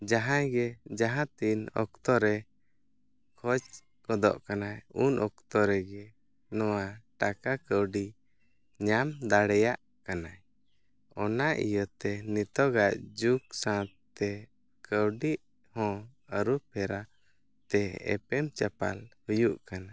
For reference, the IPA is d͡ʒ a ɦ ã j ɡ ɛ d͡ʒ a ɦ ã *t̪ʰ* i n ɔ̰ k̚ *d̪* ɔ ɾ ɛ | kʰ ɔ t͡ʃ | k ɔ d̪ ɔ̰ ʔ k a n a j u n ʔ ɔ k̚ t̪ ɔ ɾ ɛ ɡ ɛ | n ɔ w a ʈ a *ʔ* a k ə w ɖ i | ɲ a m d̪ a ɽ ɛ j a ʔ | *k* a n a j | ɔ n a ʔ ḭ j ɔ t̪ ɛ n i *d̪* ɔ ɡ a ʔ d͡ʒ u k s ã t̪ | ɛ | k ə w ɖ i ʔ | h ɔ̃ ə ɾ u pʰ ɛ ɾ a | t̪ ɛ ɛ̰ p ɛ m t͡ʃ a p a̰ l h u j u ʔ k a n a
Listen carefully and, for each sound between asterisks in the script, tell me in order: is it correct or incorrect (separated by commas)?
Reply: incorrect, incorrect, incorrect, correct, incorrect